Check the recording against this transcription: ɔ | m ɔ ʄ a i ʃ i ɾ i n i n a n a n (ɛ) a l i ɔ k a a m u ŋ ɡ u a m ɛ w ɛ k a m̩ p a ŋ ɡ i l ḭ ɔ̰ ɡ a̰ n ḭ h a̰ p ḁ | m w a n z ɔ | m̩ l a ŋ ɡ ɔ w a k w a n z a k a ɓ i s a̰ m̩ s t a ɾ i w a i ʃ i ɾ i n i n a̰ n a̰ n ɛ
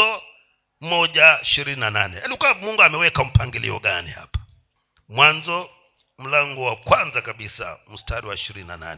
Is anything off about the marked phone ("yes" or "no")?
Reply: no